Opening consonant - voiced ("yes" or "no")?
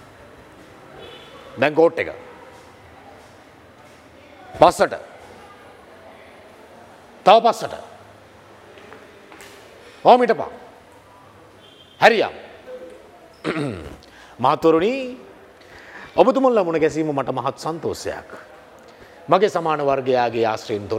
yes